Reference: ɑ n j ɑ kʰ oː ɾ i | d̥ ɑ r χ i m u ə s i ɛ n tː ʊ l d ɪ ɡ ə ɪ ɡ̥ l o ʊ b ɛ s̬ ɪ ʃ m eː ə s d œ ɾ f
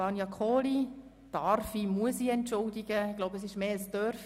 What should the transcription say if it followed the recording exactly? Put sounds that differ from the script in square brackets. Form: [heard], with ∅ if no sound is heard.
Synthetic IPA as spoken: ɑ n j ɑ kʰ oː [l] i | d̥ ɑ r [f] i m u ə s i ɛ n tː ʊ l d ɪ ɡ ə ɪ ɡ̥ l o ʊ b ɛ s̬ ɪ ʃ m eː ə s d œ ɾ f